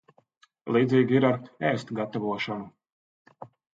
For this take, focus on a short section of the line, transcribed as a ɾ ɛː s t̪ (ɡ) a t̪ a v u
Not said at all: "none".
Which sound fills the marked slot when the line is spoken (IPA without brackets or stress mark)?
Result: ɡ